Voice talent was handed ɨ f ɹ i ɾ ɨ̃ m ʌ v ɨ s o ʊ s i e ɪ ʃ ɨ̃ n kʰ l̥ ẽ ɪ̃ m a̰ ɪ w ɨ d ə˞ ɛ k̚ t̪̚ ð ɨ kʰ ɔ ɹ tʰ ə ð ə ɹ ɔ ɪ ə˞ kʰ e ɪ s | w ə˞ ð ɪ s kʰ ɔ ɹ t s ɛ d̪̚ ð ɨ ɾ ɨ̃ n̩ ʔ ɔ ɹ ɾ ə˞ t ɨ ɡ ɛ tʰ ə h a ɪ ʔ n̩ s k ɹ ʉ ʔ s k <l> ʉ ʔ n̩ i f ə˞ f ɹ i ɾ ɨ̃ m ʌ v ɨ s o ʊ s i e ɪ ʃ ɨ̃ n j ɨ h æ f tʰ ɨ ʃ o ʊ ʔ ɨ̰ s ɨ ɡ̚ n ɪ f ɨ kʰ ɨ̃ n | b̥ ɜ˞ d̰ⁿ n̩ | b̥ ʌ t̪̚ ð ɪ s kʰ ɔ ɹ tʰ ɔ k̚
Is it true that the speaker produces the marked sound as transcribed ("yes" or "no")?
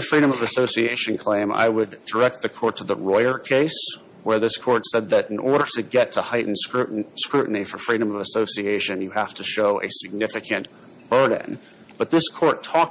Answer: no